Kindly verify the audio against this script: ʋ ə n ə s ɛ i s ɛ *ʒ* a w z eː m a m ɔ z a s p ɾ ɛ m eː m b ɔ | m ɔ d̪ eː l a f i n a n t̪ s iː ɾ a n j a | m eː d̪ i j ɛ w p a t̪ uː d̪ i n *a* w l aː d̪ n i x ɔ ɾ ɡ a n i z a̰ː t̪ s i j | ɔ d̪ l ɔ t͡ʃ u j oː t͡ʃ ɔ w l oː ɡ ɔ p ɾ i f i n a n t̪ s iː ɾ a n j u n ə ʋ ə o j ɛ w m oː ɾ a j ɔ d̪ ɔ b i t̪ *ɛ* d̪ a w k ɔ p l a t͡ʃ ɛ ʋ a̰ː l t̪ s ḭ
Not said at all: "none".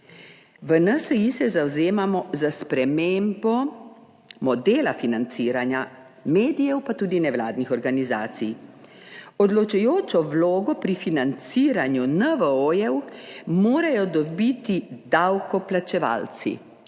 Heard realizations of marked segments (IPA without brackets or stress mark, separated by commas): z, ɛ, i